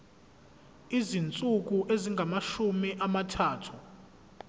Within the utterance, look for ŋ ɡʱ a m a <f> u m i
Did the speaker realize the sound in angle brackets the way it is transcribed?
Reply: no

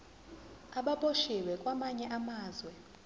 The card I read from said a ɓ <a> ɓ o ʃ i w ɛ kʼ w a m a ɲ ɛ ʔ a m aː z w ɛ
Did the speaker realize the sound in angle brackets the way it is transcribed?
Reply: yes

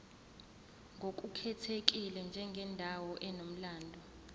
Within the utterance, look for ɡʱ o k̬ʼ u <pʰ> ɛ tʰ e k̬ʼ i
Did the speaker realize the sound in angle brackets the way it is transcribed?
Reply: no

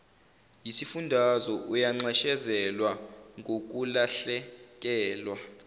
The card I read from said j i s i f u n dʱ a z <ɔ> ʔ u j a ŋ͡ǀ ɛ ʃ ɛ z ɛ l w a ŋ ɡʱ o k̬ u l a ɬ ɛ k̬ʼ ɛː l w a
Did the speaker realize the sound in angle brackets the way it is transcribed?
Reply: yes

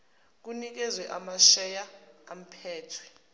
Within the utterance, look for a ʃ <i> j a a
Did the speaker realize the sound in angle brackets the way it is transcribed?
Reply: no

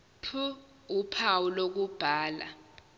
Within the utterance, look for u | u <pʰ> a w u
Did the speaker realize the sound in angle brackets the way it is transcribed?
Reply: yes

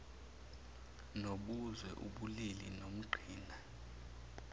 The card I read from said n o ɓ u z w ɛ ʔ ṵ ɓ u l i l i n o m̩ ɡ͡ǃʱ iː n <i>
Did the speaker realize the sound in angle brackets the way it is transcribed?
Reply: no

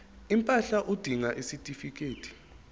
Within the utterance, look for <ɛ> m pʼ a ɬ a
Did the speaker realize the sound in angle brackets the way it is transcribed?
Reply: no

